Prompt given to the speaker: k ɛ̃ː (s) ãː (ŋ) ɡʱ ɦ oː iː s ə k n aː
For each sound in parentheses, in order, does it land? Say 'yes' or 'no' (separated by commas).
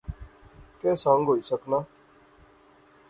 yes, yes